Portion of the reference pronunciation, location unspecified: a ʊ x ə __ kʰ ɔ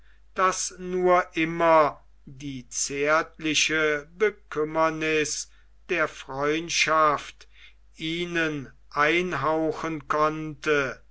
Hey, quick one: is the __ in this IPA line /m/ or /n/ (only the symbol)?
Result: n